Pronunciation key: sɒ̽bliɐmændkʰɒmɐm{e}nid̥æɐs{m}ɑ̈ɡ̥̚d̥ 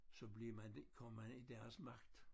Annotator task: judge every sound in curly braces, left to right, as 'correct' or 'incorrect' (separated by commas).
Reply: incorrect, correct